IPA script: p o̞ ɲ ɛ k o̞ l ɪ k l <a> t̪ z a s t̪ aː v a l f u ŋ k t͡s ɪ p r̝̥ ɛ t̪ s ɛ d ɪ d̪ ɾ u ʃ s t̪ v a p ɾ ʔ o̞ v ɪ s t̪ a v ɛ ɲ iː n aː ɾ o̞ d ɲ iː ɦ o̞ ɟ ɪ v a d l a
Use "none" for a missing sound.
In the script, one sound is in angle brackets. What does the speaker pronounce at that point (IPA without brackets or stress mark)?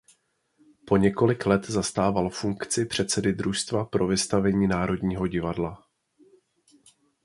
ɛ